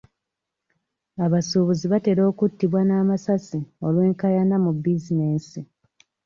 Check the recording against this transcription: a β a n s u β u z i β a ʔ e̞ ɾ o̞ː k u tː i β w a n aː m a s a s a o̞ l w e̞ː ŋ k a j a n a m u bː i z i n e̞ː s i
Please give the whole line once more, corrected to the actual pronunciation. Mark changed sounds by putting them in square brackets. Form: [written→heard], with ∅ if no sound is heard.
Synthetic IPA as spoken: a β a [n→∅] s u β u z i β a [ʔ→t] e̞ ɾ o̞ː k u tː i β w a n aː m a s a s [a→i] o̞ l w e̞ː ŋ k a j a n a m u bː i z i n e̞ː s i